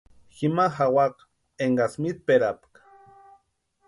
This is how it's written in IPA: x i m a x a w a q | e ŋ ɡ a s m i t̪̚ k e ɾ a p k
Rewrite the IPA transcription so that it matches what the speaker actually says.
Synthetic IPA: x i m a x a w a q | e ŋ ɡ a s m i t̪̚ p e ɾ a p k